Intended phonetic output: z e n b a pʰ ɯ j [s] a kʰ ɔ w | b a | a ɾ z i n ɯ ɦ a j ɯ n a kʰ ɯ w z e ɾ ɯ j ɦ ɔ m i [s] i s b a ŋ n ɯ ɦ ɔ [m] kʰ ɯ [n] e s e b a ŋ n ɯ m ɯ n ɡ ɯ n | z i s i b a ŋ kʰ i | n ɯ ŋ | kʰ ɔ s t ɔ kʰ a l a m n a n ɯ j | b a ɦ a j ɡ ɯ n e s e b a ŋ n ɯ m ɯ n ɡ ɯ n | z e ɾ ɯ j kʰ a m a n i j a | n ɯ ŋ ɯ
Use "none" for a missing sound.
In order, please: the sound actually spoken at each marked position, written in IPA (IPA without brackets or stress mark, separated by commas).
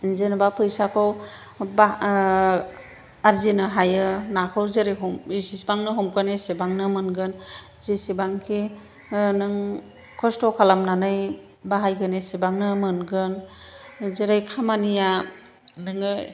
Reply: s, s, m, n